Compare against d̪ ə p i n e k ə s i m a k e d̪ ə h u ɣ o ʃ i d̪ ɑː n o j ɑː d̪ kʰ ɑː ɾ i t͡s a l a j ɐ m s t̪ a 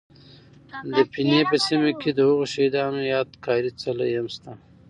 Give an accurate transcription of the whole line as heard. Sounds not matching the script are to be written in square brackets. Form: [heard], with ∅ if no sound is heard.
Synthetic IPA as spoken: d̪ ə p i n e [p] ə s i m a k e d̪ ə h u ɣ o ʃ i d̪ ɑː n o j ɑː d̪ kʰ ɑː ɾ i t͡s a l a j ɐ m s t̪ a